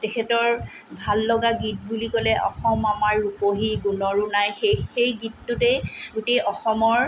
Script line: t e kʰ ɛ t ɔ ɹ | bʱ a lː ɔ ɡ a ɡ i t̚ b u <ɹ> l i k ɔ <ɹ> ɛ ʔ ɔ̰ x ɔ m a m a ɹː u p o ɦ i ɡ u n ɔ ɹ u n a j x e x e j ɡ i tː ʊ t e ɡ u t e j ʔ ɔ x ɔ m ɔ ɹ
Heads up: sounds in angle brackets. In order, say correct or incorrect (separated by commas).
incorrect, incorrect